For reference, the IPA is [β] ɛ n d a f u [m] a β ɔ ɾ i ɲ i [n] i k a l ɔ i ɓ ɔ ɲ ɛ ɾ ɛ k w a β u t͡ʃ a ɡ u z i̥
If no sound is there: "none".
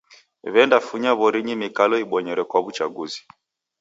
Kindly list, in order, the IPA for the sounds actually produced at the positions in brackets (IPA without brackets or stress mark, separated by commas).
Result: β, ɲ, m